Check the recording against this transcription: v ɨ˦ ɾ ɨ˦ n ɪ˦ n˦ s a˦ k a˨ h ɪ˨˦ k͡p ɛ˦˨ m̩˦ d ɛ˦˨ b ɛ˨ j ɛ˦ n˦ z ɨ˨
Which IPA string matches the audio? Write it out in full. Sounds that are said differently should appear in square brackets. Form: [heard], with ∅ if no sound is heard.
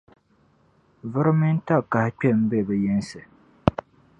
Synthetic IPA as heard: v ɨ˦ ɾ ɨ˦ [m] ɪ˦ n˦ [t] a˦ k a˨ h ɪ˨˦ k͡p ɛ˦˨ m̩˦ [b] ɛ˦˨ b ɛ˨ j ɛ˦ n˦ [s] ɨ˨